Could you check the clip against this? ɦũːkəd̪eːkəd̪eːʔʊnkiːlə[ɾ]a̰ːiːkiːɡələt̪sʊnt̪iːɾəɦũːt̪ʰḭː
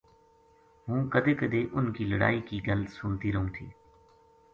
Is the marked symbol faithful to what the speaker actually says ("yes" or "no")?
no